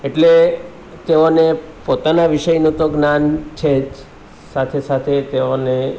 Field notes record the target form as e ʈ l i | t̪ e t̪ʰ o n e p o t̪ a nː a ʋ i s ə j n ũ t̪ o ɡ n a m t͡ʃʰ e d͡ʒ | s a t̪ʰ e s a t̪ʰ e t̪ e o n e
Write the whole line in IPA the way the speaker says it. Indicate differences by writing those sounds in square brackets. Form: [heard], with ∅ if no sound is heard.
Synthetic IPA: e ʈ l [e] | t̪ e [∅] o n e p o t̪ a [n] a ʋ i [ʃ] ə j n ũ t̪ o ɡ n a [n] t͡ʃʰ e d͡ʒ | s a t̪ʰ e s a t̪ʰ e t̪ e o n e

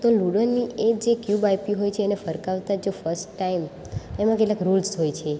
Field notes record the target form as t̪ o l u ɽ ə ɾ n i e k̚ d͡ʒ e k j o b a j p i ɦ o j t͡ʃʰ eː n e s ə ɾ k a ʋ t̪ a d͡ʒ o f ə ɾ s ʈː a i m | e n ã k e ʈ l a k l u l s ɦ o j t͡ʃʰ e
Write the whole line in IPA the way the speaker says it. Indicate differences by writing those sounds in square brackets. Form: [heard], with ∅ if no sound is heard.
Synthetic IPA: t̪ o l u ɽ ə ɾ n i e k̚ d͡ʒ e k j [u] b a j p i ɦ o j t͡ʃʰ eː n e [f] ə ɾ k a ʋ t̪ a d͡ʒ o f ə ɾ s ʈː a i m | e [m] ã k e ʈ l a k [ɾ] u l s ɦ o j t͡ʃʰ e

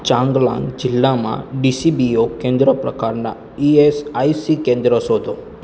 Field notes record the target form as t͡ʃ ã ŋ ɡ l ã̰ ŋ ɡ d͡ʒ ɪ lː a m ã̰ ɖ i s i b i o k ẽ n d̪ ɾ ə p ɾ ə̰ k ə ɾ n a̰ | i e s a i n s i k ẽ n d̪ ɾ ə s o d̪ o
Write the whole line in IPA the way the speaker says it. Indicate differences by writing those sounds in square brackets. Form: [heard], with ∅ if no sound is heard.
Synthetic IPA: t͡ʃ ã ŋ ɡ l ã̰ ŋ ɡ d͡ʒ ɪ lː a m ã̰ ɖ i s i b i o k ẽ n d̪ ɾ ə p ɾ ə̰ k [a] ɾ n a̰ | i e s a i [∅] s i k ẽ n d̪ ɾ ə s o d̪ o

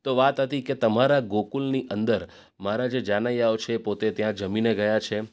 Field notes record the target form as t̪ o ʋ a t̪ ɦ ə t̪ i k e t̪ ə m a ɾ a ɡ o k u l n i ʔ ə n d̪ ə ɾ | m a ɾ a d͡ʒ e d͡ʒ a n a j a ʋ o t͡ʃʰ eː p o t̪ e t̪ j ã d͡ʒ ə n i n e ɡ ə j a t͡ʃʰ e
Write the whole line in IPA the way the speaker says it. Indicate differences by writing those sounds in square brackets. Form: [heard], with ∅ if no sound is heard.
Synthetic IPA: t̪ o ʋ a t̪ ɦ ə t̪ i k e t̪ ə m a ɾ a ɡ o k u l n i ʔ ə n d̪ ə ɾ | m a ɾ a d͡ʒ e d͡ʒ a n a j a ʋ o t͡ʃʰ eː p o t̪ e t̪ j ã d͡ʒ ə [m] i n e ɡ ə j a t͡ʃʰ e

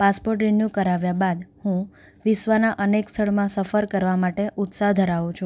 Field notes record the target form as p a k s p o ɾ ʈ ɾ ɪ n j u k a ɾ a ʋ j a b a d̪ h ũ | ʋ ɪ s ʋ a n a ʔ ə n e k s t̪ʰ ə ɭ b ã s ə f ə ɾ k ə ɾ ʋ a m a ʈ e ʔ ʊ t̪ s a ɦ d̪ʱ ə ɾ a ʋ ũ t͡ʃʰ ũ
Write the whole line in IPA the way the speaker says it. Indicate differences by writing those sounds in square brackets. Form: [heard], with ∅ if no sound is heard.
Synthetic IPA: p a [∅] s p o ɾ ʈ ɾ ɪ n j u k [ə] ɾ a ʋ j a b a d̪ h ũ | ʋ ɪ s ʋ a n a ʔ ə n e k s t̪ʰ ə ɭ [m] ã s ə f ə ɾ k ə ɾ ʋ a m a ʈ e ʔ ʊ t̪ s a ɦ d̪ʱ ə ɾ a ʋ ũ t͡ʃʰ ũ

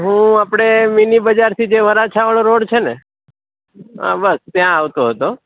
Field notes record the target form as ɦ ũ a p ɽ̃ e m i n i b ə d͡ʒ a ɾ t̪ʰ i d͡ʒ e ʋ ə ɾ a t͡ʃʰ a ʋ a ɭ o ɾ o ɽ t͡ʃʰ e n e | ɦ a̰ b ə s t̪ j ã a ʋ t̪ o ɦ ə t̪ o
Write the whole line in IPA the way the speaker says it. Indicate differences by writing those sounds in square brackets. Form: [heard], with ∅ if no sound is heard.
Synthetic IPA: ɦ ũ a p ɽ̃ e m i n i b ə d͡ʒ a ɾ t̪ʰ i d͡ʒ e ʋ ə ɾ a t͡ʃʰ a ʋ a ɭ o ɾ o ɽ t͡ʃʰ e n e | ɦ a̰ b ə s t̪ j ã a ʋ t̪ o ɦ ə t̪ o

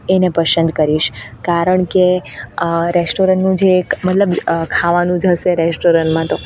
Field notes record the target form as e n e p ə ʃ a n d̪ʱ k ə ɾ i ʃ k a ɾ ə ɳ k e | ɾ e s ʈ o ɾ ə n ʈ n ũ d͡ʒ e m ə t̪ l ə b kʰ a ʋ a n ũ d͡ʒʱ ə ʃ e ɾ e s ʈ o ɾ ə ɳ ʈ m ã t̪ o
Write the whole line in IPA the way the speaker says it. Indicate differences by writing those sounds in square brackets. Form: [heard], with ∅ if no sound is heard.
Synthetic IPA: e n e p ə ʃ [ə] n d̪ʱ k ə ɾ i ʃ k a ɾ ə ɳ k e | ɾ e s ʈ o ɾ ə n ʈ n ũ d͡ʒ e m ə t̪ l ə b kʰ a ʋ a n ũ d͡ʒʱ ə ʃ e ɾ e s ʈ o ɾ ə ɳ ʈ m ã t̪ o

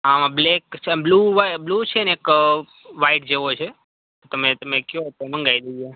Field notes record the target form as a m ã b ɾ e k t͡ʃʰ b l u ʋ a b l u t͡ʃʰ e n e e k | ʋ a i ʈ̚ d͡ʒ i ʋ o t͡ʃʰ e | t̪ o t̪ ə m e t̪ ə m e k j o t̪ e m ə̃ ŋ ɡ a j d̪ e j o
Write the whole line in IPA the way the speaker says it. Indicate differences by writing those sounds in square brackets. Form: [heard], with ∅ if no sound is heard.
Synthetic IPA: a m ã b [l] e k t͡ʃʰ b l u ʋ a b l u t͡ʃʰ e n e e k | ʋ a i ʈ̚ d͡ʒ [e] ʋ o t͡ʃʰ e | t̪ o t̪ ə m e t̪ ə m e k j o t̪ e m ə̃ ŋ ɡ a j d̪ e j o

